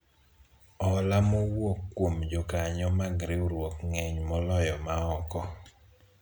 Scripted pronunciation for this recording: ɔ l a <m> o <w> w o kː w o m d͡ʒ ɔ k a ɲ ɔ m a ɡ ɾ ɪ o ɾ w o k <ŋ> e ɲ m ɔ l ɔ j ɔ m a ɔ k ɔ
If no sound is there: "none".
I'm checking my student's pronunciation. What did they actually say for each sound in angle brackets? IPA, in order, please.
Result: m, w, ŋ

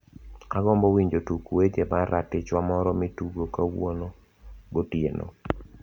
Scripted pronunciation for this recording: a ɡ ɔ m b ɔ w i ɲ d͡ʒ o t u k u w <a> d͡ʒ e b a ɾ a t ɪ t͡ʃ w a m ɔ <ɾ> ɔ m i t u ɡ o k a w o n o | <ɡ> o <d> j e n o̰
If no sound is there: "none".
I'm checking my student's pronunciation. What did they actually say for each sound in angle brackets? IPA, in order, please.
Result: e, ɾ, ɡ, t

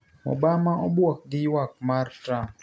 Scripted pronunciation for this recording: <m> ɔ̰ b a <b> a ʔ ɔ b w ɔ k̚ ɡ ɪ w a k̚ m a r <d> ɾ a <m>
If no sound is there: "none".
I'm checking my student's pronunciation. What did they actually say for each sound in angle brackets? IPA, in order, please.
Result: m, m, t, m

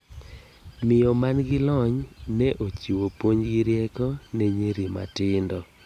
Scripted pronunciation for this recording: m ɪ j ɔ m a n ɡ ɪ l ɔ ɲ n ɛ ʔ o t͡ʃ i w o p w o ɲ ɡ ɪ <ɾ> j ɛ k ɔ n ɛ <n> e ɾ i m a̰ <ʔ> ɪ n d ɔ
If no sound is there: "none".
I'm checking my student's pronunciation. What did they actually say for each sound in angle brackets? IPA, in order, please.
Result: ɾ, ɲ, t

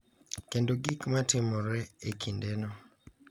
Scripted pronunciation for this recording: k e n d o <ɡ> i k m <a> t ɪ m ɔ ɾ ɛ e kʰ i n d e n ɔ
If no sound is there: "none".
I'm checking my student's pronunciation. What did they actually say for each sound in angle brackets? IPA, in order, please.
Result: ɡ, a

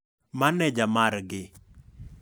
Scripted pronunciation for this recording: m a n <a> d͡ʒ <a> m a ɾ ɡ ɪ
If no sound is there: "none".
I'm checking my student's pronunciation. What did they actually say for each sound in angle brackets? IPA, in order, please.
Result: ɛ, a

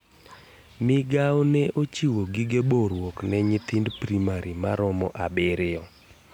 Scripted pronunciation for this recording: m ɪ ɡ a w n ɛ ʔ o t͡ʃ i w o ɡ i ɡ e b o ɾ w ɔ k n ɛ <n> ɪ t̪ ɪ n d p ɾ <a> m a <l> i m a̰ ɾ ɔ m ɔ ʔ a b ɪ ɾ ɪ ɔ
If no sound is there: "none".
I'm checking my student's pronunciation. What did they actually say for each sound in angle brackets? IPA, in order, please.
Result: ɲ, i, ɾ

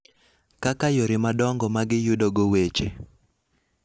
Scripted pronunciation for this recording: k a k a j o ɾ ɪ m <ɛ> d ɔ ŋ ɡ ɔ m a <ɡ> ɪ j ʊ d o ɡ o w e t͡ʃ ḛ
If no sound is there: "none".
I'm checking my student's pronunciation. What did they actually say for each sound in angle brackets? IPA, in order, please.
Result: a, ɡ

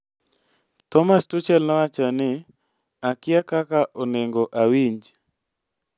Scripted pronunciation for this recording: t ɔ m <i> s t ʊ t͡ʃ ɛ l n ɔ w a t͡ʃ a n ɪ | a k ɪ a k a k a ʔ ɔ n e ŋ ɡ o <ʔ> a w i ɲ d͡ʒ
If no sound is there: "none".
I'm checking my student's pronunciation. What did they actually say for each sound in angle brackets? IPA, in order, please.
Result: a, ʔ

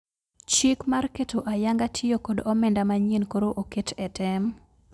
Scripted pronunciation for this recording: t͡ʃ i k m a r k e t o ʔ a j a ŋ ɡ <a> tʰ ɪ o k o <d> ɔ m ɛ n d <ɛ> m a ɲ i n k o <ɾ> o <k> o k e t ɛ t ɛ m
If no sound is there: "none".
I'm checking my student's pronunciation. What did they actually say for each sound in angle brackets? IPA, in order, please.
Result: a, d, a, ɾ, ʔ

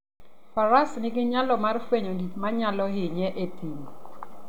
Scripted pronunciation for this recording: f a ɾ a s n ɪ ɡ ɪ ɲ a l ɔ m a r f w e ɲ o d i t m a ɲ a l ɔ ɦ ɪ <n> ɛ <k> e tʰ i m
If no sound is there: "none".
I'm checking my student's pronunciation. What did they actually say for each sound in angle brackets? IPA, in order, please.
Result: ɲ, ʔ

